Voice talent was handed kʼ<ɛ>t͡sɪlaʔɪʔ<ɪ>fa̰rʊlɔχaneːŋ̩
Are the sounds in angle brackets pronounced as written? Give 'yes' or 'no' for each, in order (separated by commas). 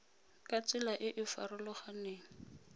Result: no, yes